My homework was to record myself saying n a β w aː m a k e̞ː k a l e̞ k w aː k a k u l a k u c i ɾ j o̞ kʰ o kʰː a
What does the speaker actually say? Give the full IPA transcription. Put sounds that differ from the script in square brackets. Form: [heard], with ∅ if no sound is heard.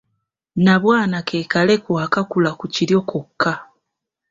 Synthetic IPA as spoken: n a β w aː [n] a k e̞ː k a l e̞ k w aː k a k u l a k u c i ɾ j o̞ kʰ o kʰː a